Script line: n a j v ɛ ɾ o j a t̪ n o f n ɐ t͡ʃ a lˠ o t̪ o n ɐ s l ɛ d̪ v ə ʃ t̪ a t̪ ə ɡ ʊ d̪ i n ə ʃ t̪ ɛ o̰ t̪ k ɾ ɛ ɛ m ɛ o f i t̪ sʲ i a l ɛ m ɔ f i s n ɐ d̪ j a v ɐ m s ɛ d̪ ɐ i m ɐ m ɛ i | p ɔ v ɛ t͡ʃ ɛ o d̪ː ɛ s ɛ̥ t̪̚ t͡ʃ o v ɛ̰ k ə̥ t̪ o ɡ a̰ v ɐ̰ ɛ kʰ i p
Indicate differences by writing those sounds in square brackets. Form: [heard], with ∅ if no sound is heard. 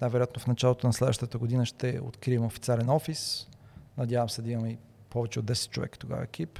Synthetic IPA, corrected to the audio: n a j v ɛ ɾ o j a t̪ n o f n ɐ t͡ʃ a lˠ o t̪ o n ɐ s l ɛ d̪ v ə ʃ t̪ [ə] t̪ ə ɡ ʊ d̪ i n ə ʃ t̪ ɛ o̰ t̪ k ɾ [i] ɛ m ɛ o f i t̪ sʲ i a l ɛ [n] ɔ f i s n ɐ d̪ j a v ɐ m s ɛ d̪ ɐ i m ɐ m ɛ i | p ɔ v ɛ t͡ʃ ɛ o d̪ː ɛ s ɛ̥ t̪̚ t͡ʃ o v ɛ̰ k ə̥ t̪ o ɡ a̰ v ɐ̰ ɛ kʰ i p